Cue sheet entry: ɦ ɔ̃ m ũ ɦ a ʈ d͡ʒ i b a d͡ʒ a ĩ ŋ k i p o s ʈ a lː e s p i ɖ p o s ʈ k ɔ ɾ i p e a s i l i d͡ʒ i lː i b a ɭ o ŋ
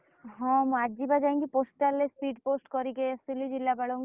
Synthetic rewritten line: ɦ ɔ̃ m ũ a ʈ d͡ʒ i b a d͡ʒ a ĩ ŋ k i p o s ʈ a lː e s p i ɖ p o s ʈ k ɔ ɾ i k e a s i l i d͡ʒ i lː a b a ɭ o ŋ